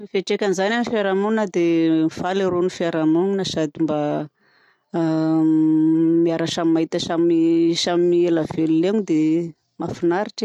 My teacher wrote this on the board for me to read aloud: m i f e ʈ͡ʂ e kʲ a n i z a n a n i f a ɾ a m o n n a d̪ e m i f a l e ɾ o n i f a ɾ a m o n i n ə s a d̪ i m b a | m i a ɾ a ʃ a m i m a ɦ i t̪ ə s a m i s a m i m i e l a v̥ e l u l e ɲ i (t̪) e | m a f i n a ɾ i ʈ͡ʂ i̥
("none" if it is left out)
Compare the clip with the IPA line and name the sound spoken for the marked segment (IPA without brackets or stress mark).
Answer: d̪